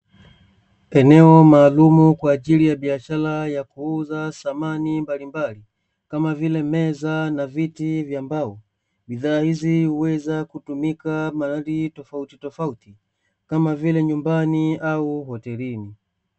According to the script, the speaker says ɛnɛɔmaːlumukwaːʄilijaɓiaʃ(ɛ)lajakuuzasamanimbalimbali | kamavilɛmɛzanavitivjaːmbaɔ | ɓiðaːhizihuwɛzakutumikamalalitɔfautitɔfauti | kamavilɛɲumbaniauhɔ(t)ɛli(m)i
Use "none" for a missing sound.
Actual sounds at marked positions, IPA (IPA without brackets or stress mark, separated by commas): a, t, n